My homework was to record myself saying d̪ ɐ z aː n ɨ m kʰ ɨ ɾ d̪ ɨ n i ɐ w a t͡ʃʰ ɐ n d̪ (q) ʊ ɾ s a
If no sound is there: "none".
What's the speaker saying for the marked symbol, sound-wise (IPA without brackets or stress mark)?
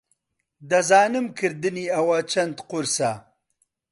q